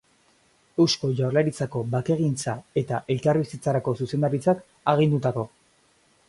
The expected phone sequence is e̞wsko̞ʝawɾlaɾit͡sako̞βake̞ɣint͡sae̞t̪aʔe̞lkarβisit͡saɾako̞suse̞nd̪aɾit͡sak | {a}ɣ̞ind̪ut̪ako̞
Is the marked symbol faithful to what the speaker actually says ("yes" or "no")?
yes